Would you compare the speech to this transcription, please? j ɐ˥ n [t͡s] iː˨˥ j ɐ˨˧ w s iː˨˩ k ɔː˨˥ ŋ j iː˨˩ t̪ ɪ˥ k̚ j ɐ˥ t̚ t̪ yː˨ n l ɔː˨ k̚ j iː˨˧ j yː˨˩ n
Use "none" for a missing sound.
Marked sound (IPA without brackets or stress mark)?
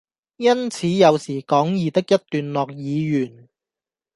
t͡sʰ